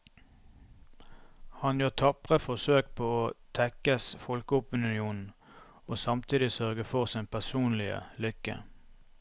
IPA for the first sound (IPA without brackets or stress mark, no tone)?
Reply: h